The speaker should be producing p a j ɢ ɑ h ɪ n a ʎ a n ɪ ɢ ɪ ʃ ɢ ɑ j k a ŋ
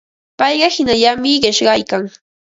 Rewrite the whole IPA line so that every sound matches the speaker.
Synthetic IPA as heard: p ɑ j ɢ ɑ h ɪ n a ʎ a m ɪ ɢ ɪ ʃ ɢ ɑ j k a ŋ